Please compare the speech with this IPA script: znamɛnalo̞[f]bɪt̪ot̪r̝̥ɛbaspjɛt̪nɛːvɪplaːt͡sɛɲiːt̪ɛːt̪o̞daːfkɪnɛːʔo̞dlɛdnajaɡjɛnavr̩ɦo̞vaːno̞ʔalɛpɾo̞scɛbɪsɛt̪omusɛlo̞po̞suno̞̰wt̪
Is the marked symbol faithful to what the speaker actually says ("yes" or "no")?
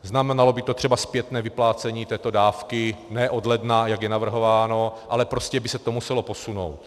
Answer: no